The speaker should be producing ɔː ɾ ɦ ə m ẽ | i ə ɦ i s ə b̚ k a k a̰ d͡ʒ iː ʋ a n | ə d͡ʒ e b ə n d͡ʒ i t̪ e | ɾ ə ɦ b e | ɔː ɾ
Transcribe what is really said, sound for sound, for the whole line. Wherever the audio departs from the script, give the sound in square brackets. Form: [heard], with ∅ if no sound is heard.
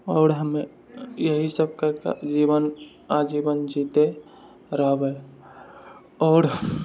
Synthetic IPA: ɔː ɾ ɦ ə m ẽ | [j] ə ɦ i s ə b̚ k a k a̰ d͡ʒ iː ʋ [ə] n | [a] d͡ʒ [i] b ə n d͡ʒ i t̪ e | ɾ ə ɦ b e | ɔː ɾ